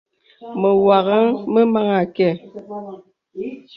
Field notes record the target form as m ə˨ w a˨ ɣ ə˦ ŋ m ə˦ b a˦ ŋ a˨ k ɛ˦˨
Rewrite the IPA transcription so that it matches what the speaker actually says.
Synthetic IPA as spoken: m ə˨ w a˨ ɣ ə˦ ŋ m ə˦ m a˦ ŋ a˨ k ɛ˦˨